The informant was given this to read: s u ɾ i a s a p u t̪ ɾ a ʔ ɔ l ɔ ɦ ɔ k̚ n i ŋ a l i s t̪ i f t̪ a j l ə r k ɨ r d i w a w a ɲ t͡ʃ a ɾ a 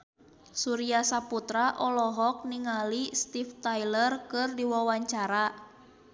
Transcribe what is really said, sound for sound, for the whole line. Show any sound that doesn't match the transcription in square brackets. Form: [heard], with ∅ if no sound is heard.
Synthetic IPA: s u ɾ i a s a p u t̪ ɾ a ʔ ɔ l ɔ ɦ ɔ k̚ n i ŋ a l i s t̪ i f t̪ a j l ə r k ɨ r d i w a w a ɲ t͡ʃ a ɾ a